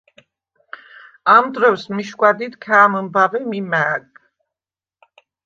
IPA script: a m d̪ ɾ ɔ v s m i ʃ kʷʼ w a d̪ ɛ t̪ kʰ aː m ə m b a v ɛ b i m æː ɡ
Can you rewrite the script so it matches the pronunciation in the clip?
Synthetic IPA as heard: a m d̪ ɾ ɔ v s m i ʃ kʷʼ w a d̪ i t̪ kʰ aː m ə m b a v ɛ m i m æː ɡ